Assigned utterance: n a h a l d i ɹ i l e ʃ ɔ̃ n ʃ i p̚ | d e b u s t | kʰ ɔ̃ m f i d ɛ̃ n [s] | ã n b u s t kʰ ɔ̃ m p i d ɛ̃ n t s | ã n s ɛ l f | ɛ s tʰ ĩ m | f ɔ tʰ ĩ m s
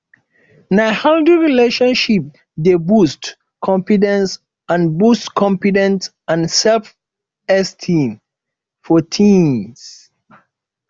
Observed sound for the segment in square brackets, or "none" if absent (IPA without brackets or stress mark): s